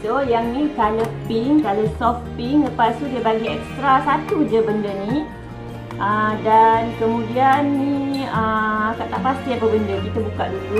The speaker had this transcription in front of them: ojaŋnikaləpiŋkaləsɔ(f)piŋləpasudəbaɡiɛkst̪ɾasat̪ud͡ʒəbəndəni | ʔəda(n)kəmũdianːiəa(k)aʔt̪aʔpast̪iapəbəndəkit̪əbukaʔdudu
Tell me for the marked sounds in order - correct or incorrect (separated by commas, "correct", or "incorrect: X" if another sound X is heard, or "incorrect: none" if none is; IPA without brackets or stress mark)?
correct, correct, correct